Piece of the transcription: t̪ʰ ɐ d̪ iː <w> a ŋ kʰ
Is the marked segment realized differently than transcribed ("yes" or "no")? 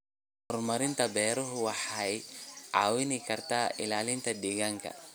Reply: yes